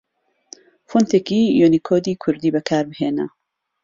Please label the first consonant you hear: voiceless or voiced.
voiceless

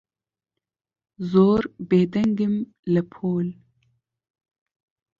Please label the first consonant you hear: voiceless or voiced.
voiced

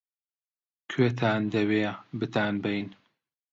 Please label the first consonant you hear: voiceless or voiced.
voiceless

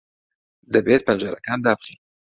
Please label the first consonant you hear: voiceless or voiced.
voiced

